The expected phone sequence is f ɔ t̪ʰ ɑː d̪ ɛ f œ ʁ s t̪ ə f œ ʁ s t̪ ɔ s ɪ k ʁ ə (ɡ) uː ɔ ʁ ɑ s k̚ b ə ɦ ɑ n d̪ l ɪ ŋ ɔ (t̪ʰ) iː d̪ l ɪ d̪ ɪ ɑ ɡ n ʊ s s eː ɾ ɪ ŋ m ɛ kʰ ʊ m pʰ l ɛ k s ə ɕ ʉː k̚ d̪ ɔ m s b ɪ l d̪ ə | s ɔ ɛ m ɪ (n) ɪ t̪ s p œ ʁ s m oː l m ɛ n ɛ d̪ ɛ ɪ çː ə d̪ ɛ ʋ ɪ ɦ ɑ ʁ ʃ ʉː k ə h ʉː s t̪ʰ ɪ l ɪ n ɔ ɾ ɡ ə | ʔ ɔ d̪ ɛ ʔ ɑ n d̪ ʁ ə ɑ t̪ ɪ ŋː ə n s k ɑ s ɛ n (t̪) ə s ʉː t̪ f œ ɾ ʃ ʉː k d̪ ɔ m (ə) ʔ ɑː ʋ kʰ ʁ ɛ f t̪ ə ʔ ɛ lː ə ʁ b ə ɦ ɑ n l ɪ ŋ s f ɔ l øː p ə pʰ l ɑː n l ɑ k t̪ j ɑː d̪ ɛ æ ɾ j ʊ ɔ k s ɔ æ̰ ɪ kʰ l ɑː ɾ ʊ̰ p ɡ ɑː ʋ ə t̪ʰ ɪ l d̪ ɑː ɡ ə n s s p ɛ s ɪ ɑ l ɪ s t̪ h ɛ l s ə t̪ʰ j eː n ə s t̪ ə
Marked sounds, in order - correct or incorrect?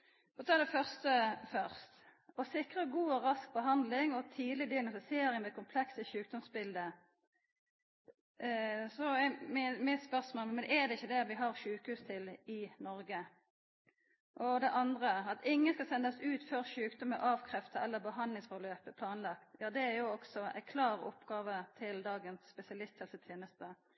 correct, correct, incorrect, incorrect, correct

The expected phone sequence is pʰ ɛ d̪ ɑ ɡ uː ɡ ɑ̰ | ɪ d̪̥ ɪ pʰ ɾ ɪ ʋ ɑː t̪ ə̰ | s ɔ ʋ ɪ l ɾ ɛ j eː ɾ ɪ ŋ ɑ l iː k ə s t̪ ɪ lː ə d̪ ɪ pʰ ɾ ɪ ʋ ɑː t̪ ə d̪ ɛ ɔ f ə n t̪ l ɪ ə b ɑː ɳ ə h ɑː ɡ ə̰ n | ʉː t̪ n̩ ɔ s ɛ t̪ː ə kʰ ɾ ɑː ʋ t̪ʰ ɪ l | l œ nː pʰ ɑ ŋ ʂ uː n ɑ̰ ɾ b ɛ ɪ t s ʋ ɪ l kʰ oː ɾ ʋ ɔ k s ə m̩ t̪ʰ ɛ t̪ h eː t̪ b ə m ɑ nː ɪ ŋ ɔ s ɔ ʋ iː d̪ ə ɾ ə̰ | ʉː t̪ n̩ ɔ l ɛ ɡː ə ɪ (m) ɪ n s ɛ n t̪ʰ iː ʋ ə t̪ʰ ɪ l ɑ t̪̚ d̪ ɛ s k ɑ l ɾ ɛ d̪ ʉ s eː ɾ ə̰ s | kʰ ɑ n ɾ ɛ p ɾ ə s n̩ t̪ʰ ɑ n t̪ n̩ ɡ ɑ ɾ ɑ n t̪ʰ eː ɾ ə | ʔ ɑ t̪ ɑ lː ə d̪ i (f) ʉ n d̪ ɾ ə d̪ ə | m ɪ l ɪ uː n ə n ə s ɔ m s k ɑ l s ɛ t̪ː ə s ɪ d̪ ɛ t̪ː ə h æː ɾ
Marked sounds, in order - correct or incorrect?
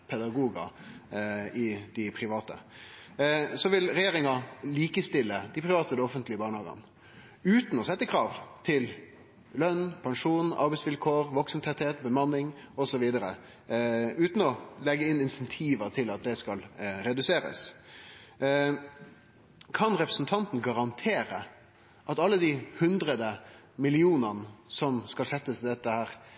incorrect, incorrect

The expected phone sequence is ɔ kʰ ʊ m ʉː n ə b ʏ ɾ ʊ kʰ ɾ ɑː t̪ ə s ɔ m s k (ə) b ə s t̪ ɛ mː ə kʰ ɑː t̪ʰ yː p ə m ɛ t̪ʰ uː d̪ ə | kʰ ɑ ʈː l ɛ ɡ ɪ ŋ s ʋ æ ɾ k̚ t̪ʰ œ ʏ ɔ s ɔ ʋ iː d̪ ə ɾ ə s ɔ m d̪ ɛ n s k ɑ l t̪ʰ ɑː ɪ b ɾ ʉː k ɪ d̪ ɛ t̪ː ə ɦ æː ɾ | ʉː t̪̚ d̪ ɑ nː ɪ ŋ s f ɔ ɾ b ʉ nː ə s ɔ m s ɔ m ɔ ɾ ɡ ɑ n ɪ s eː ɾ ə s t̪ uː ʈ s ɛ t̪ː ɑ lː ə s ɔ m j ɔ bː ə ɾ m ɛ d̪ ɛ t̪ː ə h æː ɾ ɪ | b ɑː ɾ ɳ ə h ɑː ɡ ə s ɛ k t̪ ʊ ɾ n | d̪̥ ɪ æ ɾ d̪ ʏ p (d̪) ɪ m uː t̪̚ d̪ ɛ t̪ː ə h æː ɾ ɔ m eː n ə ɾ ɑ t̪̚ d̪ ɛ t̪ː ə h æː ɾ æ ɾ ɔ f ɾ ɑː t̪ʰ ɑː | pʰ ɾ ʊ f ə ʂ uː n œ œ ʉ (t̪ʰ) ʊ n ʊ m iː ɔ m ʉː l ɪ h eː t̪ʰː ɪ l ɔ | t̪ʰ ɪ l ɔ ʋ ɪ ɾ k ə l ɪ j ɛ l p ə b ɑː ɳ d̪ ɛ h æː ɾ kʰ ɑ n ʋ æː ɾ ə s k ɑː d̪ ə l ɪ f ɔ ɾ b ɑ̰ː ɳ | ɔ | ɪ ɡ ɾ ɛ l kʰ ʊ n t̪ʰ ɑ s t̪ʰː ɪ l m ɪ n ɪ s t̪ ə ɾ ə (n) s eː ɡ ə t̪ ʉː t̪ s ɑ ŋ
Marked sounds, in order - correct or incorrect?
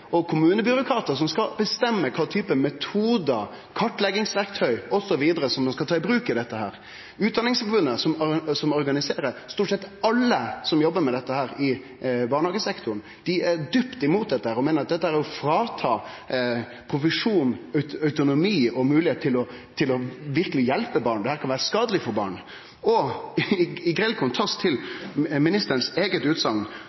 incorrect, incorrect, incorrect, correct

